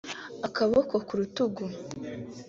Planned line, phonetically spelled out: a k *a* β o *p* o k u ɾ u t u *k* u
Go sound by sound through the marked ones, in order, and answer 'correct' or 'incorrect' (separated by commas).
correct, incorrect, incorrect